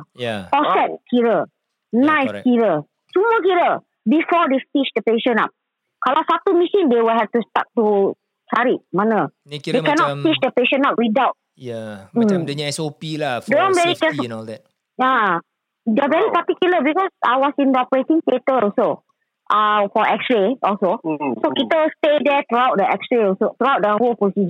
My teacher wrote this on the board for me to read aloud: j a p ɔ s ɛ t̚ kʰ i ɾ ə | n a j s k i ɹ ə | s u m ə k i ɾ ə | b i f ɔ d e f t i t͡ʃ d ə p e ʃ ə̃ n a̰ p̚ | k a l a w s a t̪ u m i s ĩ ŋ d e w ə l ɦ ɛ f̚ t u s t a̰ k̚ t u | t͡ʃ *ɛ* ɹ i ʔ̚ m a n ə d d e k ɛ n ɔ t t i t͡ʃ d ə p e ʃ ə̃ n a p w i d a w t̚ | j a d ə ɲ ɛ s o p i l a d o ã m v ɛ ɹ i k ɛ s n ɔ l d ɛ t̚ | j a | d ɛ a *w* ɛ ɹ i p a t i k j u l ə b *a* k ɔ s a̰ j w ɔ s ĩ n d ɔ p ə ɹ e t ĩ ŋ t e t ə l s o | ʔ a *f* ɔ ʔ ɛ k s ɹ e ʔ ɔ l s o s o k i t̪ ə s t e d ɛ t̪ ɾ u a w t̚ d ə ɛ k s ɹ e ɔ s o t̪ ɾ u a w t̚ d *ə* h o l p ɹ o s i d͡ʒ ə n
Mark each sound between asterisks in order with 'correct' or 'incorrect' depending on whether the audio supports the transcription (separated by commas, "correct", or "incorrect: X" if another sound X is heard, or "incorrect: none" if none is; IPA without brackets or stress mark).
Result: incorrect: a, incorrect: v, incorrect: i, correct, correct